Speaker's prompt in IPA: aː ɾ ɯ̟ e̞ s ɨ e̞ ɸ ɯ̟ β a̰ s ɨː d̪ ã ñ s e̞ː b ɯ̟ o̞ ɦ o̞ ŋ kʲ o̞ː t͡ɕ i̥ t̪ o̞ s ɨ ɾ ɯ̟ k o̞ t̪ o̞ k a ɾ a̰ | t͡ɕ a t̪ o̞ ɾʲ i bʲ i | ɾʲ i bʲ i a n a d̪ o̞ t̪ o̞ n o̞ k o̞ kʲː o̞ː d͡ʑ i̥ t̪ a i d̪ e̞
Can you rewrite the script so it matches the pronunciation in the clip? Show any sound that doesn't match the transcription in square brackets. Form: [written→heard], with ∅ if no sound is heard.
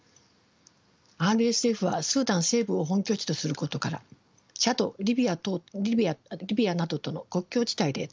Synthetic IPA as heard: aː ɾ ɯ̟ e̞ s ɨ e̞ ɸ ɯ̟ β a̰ s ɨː d̪ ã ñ s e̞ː b ɯ̟ o̞ ɦ [o̞→õ̞] ŋ kʲ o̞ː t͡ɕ i̥ t̪ o̞ s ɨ ɾ ɯ̟ k o̞ t̪ o̞ k a ɾ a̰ | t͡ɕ a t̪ o̞ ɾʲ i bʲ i | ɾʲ i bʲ i a n a d̪ o̞ t̪ o̞ n o̞ k o̞ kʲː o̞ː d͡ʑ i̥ t̪ a i d̪ e̞